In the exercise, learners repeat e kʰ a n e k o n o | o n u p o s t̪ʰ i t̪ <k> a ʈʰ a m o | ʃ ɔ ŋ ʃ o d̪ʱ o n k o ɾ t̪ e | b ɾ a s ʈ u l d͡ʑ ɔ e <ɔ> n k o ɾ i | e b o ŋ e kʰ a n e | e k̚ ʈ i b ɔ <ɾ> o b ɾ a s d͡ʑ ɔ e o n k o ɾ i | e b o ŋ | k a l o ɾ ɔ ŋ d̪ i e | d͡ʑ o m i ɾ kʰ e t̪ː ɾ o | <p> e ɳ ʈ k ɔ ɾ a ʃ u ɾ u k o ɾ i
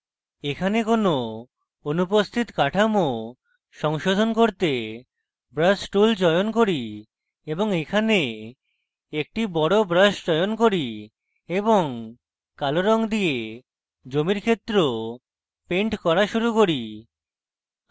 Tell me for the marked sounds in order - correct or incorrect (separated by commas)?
correct, incorrect, incorrect, correct